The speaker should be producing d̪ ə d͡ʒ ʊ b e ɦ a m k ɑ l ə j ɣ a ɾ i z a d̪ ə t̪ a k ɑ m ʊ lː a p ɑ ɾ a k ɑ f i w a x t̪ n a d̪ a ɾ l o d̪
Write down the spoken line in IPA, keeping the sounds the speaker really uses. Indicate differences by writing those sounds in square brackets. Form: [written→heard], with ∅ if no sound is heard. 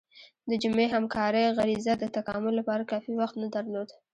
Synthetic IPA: d̪ ə d͡ʒ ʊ [b→m] e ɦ a m k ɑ [l→ɾ] ə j ɣ a ɾ i z a d̪ ə t̪ a k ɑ m ʊ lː a p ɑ ɾ a k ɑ f i w a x t̪ n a d̪ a ɾ l o d̪